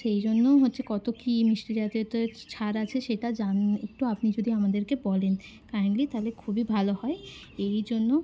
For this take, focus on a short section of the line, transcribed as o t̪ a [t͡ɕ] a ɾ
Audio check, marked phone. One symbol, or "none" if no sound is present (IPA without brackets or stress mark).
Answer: t͡ɕʰ